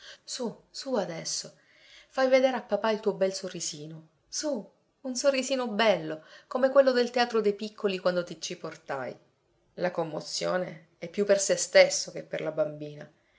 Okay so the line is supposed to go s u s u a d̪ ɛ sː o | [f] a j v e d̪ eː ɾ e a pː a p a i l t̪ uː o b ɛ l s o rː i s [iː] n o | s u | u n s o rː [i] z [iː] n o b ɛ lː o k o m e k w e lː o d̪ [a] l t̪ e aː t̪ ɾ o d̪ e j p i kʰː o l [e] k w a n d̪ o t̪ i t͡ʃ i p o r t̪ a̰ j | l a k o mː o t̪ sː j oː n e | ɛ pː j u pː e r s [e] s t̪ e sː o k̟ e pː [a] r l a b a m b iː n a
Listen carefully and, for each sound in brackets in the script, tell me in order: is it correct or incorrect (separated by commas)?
correct, correct, correct, correct, incorrect, incorrect, correct, incorrect